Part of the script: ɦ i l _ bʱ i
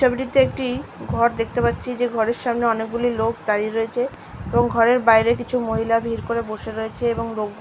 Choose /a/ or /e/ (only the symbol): a